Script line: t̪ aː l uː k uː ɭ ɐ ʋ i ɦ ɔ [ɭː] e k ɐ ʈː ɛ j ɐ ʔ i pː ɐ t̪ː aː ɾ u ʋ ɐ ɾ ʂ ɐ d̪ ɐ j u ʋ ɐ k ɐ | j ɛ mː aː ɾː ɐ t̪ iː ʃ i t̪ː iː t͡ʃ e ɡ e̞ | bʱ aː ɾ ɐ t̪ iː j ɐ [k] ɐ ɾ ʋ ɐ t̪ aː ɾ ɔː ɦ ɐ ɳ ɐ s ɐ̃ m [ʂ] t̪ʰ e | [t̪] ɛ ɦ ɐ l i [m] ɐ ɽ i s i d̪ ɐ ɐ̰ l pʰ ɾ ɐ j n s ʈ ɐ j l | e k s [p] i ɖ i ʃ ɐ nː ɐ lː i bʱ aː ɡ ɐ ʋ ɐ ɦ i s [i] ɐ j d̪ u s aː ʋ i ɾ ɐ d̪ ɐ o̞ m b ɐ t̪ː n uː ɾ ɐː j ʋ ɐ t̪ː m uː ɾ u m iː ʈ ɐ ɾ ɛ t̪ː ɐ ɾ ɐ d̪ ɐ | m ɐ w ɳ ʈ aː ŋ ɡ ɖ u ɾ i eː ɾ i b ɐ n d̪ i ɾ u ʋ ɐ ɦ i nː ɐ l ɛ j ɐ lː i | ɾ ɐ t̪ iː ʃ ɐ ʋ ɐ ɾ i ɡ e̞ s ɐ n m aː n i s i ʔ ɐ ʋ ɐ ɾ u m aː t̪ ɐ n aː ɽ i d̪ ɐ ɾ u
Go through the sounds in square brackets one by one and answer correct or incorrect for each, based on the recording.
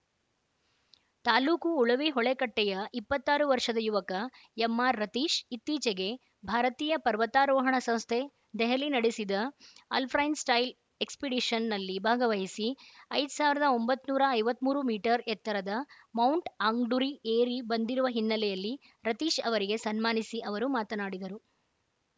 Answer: incorrect: ɭ, incorrect: p, incorrect: s, incorrect: d̪, incorrect: n, correct, correct

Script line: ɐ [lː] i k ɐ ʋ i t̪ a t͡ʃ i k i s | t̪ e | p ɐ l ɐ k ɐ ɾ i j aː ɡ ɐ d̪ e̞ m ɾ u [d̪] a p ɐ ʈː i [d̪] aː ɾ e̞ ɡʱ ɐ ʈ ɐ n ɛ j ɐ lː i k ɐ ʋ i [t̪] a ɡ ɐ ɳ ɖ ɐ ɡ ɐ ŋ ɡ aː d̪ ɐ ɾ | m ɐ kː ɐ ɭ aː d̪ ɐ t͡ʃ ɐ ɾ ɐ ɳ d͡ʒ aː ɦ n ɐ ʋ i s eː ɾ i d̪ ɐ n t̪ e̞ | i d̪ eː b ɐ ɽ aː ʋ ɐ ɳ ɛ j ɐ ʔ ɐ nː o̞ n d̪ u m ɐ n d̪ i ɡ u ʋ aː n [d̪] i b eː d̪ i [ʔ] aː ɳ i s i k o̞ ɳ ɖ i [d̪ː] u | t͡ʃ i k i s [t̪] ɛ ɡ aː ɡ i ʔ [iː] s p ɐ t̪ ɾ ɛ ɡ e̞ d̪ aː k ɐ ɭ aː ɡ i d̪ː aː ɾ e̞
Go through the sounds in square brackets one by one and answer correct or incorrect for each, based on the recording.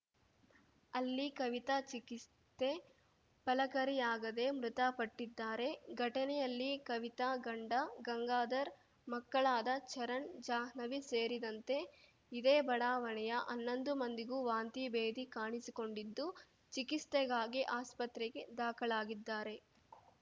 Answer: correct, incorrect: t̪, incorrect: d̪ː, correct, incorrect: t̪, incorrect: k, correct, correct, incorrect: aː

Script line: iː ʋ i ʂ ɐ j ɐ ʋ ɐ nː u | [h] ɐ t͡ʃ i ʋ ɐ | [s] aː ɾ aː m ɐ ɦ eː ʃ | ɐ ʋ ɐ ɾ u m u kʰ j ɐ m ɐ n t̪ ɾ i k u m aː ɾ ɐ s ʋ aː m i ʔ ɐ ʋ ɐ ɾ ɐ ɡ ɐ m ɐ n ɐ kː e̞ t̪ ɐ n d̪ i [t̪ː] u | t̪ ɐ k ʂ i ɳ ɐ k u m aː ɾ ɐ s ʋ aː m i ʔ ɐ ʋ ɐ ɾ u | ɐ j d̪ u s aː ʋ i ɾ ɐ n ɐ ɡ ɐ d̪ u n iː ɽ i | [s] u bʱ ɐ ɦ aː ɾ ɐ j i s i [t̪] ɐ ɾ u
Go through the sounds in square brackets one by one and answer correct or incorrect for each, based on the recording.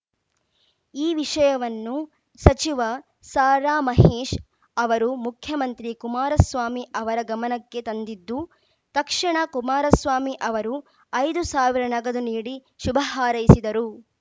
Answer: incorrect: s, correct, incorrect: d̪ː, incorrect: ʃ, incorrect: d̪

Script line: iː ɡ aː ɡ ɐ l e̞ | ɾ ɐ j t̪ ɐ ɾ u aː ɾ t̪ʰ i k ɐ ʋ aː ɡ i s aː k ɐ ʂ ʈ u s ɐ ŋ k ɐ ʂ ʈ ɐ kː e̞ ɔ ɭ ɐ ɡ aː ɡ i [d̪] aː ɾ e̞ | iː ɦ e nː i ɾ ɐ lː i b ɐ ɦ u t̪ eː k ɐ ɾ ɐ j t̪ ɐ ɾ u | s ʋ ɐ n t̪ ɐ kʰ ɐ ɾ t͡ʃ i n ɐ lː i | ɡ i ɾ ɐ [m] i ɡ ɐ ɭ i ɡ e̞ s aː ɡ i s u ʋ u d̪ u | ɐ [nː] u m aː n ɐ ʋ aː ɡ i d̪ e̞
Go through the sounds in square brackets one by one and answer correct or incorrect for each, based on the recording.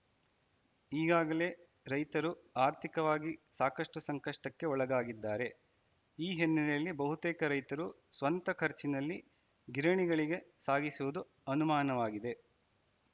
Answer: incorrect: d̪ː, incorrect: ɳ, incorrect: n

